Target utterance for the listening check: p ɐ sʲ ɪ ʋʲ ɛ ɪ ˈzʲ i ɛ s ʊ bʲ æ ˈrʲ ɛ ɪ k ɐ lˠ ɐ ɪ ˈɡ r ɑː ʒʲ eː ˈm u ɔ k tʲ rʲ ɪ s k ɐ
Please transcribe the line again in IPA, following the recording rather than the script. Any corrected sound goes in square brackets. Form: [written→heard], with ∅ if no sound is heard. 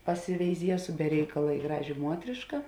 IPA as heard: p ɐ sʲ ɪ ʋʲ ɛ ɪ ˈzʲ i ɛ s ʊ bʲ [æ→ɛ] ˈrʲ ɛ ɪ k ɐ lˠ ɐ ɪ ˈɡ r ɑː ʒʲ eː ˈm u ɔ [k→∅] tʲ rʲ ɪ [s→ʃ] k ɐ